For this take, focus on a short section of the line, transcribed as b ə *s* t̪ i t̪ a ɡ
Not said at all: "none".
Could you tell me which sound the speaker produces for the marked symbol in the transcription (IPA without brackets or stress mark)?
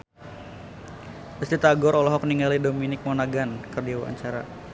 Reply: s